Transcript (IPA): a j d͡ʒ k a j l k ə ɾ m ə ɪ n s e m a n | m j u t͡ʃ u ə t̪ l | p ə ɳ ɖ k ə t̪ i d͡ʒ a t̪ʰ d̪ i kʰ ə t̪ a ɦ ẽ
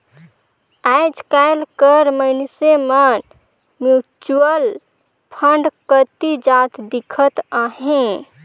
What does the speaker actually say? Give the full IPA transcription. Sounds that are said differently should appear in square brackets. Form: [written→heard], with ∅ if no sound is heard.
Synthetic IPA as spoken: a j d͡ʒ k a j l k ə ɾ m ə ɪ n s e m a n | m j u t͡ʃ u ə [t̪→∅] l | [p→pʰ] ə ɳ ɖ k ə t̪ i d͡ʒ a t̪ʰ d̪ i kʰ ə t̪ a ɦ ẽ